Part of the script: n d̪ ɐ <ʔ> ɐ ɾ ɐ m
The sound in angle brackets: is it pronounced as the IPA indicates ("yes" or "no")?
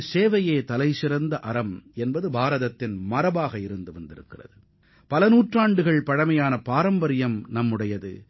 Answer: yes